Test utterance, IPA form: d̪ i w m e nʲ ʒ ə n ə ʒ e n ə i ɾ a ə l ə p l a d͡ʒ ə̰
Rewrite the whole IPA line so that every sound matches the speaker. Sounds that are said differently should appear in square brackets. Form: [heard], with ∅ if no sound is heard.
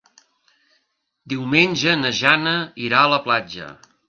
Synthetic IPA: d̪ i w m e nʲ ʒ ə n ə ʒ [a] n ə i ɾ a ə l ə p l a d͡ʒ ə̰